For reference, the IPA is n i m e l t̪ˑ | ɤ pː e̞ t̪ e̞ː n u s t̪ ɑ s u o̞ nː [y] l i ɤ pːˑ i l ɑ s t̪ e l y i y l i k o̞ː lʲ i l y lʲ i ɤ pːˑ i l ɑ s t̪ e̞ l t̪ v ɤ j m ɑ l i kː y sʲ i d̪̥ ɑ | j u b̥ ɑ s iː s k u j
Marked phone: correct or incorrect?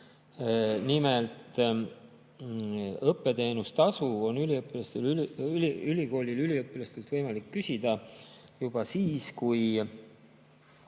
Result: correct